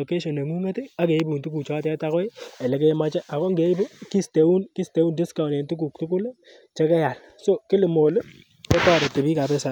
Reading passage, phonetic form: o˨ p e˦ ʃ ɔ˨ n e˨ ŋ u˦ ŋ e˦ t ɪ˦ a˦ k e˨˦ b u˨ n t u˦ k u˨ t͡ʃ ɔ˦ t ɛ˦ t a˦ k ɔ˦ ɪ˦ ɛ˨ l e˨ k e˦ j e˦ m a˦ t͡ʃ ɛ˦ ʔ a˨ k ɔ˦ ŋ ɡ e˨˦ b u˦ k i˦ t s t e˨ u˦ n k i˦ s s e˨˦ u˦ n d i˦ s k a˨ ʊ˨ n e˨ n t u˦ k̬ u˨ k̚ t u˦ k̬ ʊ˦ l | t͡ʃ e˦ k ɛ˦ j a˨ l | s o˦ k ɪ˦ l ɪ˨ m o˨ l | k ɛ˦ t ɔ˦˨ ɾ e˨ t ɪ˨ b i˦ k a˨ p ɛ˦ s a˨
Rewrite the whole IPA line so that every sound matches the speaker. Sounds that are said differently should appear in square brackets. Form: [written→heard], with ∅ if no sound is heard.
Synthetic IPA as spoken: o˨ [p→k] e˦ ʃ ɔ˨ n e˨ ŋ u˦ ŋ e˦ t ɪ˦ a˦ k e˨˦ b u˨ n t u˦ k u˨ t͡ʃ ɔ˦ t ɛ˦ t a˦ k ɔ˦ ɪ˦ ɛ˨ l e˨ k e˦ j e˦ m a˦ t͡ʃ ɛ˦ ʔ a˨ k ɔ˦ ŋ ɡ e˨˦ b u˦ k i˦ [t→∅] s t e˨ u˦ n k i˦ s [s→t] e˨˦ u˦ n d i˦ s k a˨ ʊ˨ n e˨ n t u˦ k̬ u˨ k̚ t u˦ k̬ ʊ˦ l | t͡ʃ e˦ k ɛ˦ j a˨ l | s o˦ k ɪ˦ l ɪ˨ m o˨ l | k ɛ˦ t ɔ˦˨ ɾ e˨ t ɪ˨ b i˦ k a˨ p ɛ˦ s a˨